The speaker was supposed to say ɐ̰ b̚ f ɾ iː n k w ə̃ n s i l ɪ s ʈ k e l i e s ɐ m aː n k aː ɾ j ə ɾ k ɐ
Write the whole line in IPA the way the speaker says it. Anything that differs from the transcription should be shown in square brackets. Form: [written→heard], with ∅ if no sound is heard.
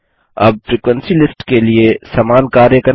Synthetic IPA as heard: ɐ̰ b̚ f ɾ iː [n→∅] k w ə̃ n s i l ɪ s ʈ k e l i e s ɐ m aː n k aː ɾ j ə [ɾ→∅] k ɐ